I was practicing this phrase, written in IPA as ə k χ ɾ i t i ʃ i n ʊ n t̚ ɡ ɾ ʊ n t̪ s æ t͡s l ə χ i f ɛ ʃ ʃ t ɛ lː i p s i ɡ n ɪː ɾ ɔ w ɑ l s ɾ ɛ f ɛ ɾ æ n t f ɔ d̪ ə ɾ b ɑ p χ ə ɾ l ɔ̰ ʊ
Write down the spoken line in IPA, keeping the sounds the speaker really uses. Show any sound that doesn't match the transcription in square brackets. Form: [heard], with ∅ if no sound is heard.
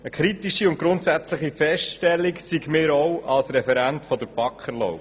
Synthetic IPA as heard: ə k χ ɾ i t i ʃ i [∅] ʊ n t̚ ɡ ɾ ʊ n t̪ s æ t͡s l ə χ i f ɛ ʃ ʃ t ɛ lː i [k] s i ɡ [m] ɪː ɾ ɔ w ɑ l s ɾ ɛ f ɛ ɾ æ n t f ɔ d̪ ə ɾ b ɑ [k] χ ə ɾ l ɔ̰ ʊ